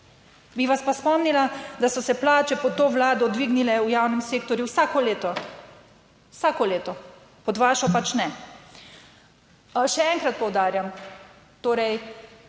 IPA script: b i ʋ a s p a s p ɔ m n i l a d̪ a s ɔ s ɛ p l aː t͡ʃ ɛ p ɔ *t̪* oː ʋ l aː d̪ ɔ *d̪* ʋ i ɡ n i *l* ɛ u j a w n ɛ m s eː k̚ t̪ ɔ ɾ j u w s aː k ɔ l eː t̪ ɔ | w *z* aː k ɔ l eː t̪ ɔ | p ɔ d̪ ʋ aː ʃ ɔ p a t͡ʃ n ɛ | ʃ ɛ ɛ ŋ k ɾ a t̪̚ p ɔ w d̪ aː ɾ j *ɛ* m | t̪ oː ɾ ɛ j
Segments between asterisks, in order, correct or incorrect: correct, correct, correct, incorrect, incorrect

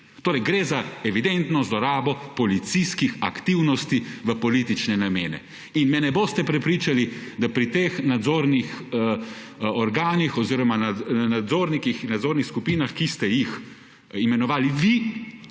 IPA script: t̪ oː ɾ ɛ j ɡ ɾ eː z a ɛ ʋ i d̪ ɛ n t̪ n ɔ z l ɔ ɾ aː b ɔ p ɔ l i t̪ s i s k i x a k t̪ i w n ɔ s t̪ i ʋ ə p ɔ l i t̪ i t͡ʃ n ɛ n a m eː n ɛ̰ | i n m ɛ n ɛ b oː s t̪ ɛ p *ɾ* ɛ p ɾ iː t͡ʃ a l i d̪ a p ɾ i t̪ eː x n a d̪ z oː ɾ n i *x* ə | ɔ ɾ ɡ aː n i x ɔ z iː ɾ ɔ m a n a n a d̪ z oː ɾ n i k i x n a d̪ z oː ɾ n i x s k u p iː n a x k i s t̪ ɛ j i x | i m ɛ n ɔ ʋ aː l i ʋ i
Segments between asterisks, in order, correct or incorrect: correct, correct

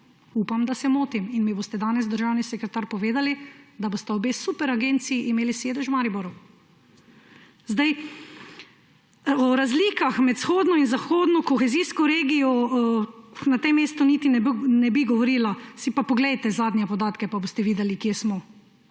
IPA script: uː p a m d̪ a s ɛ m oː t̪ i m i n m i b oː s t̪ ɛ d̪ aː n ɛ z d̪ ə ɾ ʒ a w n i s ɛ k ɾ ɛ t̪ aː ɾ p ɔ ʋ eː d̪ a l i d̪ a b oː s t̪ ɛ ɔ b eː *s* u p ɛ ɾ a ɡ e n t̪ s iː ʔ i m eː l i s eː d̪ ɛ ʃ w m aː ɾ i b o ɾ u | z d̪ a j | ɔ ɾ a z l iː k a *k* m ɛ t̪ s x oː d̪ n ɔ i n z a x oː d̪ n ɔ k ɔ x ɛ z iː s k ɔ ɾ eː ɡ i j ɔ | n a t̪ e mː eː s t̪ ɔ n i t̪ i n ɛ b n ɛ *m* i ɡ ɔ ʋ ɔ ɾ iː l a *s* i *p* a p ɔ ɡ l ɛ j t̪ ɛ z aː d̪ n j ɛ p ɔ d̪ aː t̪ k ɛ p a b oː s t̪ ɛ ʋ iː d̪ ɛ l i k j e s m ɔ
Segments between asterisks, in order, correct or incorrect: correct, incorrect, incorrect, correct, correct

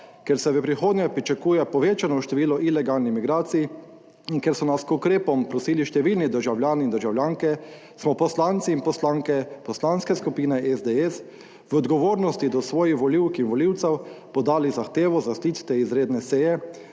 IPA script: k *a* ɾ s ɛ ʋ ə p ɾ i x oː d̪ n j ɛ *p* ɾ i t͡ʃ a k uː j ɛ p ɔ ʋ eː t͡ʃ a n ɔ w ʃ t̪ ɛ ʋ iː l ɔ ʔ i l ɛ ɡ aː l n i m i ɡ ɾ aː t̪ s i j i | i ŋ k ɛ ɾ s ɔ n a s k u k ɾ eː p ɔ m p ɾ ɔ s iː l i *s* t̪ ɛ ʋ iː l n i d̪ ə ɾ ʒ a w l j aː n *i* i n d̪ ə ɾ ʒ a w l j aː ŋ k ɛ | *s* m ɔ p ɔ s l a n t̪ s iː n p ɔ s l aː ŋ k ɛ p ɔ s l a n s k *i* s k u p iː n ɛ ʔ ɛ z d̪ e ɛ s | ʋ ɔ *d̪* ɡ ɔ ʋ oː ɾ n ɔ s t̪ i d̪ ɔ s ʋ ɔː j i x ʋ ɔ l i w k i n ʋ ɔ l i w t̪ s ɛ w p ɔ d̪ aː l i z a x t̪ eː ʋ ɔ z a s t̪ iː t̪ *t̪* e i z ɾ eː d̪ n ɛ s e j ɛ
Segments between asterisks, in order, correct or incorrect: incorrect, correct, incorrect, correct, correct, incorrect, correct, correct

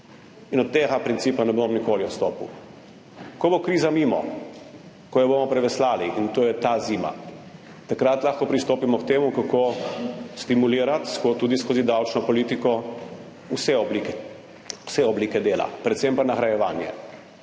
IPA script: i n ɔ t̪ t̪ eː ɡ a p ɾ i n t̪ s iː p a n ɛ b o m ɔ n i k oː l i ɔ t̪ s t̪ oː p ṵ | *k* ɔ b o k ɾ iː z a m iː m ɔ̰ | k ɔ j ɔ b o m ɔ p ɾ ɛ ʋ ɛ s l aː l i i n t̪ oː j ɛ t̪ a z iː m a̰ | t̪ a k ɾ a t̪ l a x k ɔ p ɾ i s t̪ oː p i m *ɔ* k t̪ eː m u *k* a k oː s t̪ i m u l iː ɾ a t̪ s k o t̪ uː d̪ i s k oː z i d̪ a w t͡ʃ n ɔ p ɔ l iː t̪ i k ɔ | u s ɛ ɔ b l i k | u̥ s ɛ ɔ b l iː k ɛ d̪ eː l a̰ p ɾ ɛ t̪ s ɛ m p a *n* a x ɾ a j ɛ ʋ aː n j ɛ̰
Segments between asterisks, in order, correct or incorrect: correct, correct, correct, correct

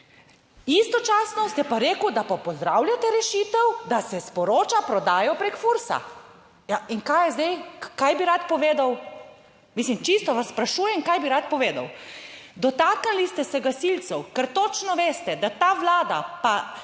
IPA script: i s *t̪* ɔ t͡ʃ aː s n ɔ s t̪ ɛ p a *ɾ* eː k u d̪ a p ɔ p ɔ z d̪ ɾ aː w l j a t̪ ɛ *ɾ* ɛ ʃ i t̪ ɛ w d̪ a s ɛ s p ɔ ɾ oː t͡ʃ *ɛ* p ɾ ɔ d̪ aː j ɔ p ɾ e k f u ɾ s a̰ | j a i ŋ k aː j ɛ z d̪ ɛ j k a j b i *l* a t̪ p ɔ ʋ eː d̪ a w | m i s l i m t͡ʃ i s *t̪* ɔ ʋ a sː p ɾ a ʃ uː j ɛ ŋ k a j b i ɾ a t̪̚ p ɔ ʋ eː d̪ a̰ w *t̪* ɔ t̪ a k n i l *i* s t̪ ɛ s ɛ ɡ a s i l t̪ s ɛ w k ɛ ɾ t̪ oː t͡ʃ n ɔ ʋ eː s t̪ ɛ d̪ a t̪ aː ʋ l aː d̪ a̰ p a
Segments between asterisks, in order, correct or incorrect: correct, correct, correct, incorrect, incorrect, correct, incorrect, correct

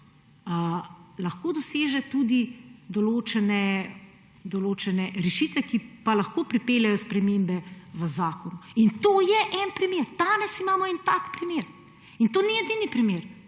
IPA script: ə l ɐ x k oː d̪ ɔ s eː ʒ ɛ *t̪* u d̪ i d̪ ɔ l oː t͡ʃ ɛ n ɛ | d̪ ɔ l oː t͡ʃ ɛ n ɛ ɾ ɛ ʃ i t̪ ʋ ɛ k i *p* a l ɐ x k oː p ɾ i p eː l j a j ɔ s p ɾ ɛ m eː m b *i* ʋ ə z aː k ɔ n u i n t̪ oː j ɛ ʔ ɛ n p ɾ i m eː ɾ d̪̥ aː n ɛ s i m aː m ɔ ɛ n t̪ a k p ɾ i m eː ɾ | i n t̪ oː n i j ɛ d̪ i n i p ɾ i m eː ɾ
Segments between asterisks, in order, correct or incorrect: correct, correct, incorrect

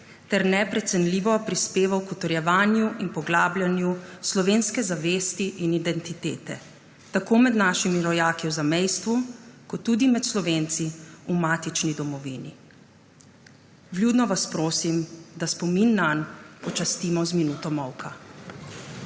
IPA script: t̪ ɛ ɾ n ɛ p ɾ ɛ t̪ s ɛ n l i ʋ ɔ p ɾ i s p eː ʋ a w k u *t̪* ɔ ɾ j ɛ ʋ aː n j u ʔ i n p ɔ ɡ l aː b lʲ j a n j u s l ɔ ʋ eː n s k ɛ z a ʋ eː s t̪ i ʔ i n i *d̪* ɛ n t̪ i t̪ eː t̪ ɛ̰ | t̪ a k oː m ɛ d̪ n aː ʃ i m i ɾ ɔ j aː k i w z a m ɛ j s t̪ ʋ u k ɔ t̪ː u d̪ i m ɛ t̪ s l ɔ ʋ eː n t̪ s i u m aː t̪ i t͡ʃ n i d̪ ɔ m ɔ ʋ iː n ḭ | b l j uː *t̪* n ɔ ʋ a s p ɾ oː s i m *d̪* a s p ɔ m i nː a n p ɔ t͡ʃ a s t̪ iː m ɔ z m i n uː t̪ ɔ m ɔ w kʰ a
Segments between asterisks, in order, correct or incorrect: correct, correct, incorrect, correct

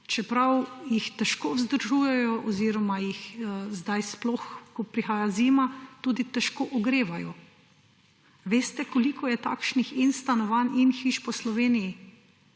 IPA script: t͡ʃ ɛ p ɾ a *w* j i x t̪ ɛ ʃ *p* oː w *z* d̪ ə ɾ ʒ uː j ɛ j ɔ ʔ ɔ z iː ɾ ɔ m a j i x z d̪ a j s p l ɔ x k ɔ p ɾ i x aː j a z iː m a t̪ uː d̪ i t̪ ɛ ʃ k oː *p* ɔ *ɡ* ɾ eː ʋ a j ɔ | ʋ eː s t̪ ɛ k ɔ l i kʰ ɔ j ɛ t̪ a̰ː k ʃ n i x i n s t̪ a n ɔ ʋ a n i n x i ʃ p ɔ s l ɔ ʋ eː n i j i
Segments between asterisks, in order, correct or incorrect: correct, incorrect, correct, incorrect, correct

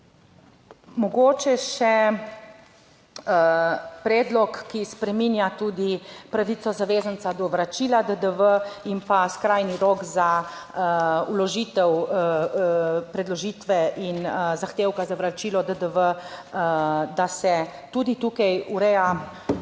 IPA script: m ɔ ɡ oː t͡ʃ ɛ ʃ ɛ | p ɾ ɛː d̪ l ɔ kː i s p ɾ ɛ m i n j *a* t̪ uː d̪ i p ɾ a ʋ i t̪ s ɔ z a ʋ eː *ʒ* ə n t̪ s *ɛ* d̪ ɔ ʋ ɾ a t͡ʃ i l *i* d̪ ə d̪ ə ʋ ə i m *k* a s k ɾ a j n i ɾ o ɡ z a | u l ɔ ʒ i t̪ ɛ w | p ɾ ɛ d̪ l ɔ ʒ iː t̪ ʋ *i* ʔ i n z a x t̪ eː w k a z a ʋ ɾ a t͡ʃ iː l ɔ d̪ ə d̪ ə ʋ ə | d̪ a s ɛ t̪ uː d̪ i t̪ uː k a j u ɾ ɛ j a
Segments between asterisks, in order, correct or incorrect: correct, incorrect, incorrect, incorrect, incorrect, incorrect

